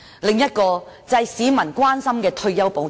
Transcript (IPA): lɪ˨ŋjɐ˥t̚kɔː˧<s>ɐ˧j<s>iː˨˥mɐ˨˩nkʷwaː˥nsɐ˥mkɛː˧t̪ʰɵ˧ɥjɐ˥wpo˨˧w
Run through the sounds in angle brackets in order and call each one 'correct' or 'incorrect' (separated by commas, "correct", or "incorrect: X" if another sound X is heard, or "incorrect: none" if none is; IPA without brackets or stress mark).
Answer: incorrect: t͡s, correct